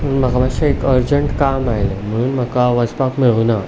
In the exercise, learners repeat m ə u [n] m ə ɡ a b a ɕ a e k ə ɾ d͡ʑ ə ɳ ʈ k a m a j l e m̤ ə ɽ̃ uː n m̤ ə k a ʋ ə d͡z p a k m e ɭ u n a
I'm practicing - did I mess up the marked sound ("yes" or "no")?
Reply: no